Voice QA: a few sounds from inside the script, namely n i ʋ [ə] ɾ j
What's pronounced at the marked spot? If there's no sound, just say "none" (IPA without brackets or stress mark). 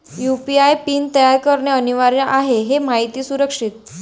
a